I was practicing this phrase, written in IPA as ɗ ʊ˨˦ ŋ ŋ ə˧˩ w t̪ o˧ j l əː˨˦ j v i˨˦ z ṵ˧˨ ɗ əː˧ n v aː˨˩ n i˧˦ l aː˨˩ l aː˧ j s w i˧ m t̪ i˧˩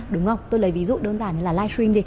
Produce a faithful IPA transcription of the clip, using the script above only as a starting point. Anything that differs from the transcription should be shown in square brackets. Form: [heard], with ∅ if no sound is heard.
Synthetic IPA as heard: ɗ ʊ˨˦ [ŋ͡m] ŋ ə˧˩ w t̪ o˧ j l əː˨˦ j v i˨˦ z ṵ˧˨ ɗ əː˧ n [z] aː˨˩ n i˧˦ l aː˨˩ l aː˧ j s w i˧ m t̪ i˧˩